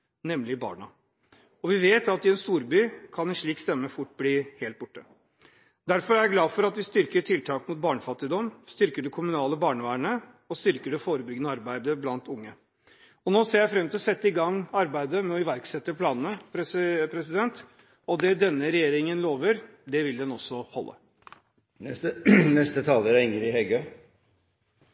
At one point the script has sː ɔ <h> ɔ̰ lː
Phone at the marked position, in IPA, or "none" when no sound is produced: h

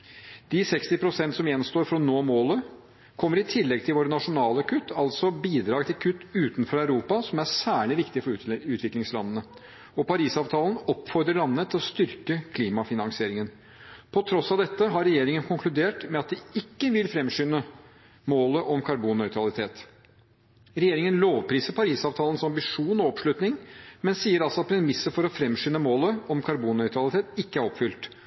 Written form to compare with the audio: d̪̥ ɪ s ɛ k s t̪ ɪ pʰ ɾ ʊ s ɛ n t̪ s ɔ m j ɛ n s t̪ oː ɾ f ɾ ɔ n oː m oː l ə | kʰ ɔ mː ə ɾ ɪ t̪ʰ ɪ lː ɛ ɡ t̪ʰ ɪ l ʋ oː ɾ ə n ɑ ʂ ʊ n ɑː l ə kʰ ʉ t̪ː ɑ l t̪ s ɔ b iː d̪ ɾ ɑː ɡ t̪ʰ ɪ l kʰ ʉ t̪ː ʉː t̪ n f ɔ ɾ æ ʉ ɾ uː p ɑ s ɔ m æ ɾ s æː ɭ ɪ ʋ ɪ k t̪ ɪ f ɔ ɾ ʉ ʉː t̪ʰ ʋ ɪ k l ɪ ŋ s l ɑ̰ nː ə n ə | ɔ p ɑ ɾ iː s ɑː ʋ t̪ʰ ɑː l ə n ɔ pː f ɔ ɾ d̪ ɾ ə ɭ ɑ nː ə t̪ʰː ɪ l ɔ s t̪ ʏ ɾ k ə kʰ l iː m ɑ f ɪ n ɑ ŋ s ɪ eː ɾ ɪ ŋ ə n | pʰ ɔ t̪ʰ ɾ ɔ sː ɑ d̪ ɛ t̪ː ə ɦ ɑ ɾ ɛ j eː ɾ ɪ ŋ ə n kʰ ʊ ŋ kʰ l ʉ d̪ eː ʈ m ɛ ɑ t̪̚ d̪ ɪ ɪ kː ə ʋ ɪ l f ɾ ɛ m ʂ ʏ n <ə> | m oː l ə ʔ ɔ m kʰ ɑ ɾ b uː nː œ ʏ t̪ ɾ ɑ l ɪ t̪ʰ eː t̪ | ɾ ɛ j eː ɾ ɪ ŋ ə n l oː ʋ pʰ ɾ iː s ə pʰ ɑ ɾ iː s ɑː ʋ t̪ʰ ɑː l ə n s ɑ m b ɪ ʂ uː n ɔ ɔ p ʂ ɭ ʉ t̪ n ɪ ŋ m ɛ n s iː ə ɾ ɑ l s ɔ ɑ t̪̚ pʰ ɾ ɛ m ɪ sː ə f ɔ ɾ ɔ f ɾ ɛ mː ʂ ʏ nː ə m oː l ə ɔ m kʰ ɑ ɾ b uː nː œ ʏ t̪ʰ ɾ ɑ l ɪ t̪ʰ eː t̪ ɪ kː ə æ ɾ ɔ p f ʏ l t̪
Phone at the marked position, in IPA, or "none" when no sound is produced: ə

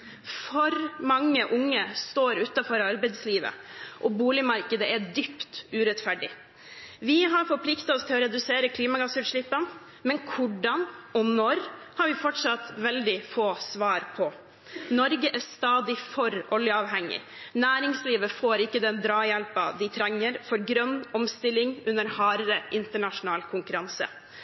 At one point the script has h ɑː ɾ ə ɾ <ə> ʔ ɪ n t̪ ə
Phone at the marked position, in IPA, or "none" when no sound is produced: ə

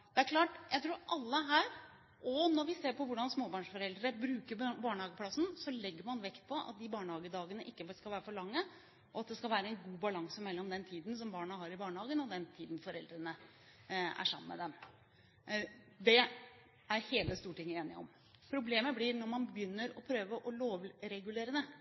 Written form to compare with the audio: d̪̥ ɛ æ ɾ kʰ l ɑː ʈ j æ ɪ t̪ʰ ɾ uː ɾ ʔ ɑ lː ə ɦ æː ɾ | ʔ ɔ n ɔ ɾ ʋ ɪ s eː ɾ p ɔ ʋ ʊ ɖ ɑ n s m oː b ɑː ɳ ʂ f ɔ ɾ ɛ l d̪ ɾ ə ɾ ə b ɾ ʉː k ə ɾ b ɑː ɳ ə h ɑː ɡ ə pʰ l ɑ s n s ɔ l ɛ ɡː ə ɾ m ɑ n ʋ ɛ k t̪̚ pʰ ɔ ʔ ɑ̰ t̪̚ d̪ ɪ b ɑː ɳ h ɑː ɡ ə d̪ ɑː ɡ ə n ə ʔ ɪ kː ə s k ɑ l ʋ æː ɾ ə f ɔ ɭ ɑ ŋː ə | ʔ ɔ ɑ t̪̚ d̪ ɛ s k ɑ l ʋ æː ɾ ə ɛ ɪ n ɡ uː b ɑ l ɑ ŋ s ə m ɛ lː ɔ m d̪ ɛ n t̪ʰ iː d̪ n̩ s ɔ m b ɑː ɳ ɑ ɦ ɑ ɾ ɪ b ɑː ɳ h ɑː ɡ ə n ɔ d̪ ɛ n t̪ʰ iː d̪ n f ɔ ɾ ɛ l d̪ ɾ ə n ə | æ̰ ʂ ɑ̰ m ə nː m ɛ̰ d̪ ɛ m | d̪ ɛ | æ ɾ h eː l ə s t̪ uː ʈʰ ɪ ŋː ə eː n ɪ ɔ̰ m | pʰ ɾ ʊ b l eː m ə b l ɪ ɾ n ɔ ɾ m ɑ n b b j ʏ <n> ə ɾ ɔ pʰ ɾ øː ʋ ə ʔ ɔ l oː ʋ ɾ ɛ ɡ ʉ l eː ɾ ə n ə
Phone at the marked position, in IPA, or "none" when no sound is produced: nː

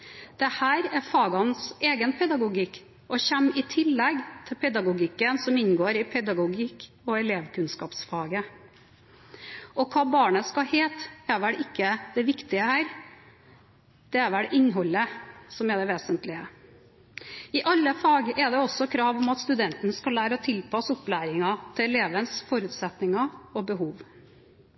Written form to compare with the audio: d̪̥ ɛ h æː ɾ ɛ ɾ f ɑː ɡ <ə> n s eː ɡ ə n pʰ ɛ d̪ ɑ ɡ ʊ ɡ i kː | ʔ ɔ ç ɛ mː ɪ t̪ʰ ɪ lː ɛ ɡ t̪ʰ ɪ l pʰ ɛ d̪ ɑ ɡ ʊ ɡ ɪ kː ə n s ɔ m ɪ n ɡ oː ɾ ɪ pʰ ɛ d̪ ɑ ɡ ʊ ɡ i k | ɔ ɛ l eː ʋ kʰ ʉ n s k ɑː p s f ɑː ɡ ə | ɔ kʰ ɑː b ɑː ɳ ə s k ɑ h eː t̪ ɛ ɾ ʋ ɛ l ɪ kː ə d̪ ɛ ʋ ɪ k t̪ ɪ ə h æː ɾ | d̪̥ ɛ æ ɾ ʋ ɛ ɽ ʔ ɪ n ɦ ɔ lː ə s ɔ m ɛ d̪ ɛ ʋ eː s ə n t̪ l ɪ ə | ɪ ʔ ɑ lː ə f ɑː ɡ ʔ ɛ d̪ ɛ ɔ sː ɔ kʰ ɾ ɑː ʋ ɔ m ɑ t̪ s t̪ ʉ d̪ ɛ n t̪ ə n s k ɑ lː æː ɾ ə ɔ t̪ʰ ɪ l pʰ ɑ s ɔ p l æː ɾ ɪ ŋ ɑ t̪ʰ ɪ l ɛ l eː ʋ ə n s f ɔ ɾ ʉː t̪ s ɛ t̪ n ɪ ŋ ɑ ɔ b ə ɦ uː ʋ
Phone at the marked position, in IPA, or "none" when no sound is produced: ɑ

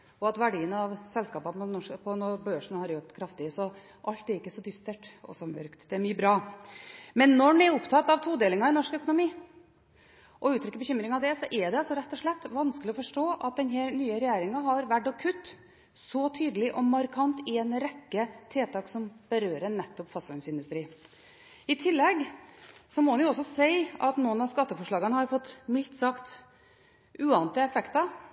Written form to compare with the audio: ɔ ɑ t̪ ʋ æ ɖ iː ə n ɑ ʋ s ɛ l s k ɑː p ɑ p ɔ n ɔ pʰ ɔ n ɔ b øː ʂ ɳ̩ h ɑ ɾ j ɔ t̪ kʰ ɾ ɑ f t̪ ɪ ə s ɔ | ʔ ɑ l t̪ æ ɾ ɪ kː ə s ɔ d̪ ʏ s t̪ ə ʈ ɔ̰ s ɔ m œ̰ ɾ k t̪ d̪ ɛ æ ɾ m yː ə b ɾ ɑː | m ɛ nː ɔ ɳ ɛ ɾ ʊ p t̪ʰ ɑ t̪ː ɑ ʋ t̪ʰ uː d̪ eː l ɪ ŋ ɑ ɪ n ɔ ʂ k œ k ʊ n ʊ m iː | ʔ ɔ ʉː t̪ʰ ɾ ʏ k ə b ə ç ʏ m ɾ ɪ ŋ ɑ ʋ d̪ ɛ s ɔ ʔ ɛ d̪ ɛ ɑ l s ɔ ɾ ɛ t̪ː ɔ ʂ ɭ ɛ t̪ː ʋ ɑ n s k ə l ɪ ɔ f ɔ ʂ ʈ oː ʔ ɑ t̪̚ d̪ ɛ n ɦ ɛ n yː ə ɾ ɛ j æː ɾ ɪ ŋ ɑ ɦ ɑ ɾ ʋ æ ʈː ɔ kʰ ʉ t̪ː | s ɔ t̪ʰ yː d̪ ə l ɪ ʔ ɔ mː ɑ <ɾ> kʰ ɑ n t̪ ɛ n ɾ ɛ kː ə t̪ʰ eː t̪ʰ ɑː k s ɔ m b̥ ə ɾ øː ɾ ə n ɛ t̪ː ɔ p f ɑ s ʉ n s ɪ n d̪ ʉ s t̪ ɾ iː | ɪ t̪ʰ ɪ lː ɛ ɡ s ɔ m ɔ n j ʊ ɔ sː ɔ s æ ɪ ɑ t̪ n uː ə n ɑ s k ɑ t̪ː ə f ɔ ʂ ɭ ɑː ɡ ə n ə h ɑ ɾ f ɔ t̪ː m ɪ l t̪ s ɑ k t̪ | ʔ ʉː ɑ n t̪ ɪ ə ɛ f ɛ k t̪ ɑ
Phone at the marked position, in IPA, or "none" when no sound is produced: ɾ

